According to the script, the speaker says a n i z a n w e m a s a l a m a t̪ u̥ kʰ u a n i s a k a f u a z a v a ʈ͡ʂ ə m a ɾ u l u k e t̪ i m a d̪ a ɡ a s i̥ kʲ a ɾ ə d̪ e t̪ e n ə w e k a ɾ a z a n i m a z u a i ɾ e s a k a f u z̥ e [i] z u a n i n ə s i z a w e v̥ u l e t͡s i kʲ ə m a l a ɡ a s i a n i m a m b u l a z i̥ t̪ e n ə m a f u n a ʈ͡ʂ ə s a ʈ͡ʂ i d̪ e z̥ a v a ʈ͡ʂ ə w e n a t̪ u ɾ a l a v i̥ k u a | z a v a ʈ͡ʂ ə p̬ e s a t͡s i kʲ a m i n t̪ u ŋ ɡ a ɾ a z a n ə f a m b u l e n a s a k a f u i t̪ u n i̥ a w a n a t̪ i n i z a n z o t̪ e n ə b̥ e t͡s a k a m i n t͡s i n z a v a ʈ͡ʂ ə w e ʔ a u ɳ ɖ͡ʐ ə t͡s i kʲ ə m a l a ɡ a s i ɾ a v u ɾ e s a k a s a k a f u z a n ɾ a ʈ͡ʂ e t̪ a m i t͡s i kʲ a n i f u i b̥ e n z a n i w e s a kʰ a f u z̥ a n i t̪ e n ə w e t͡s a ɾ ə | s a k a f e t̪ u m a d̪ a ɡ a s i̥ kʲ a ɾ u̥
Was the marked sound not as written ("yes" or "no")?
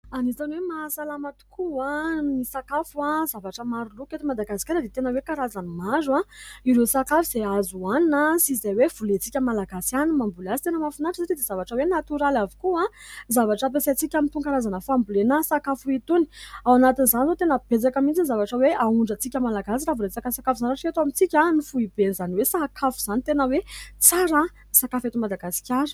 yes